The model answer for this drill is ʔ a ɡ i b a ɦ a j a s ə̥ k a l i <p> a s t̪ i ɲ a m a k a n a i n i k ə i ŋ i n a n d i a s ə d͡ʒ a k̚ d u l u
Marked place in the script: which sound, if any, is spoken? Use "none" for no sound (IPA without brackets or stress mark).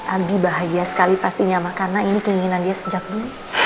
p